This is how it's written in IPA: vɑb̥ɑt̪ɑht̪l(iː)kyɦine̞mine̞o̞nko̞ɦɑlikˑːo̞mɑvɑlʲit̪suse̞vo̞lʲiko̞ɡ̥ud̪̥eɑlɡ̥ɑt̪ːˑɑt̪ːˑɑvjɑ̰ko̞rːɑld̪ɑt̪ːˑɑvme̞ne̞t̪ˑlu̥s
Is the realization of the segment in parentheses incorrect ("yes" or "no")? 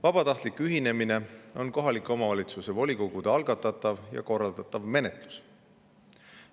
yes